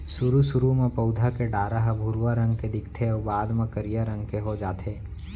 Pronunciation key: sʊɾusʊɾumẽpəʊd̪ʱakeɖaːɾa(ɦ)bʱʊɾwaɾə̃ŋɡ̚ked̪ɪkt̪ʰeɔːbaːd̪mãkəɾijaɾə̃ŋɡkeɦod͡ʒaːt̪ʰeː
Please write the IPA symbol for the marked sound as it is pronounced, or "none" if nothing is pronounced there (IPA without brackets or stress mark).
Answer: ɦ